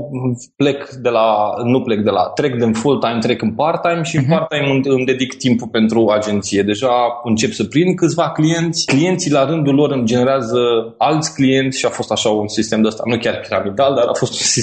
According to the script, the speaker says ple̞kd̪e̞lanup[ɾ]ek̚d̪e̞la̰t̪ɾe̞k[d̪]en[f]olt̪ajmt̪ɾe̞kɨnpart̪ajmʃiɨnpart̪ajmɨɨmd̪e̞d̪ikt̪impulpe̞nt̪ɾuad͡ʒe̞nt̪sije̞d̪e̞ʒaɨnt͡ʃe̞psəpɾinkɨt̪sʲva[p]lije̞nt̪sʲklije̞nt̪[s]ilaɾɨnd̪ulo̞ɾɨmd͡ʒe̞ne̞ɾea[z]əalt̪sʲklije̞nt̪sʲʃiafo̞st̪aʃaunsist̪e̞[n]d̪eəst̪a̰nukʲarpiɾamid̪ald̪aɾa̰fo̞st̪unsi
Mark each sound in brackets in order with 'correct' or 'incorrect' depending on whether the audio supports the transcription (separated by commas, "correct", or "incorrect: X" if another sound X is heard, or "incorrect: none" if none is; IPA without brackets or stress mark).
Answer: incorrect: l, correct, correct, incorrect: k, correct, correct, incorrect: m